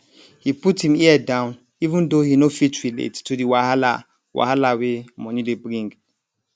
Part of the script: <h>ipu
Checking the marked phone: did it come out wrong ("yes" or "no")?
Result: no